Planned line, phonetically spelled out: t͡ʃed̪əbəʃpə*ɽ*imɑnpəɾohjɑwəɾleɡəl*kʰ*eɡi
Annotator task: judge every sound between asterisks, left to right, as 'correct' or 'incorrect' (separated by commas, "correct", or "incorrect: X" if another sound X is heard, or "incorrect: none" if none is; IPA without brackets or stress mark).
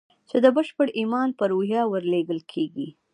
correct, correct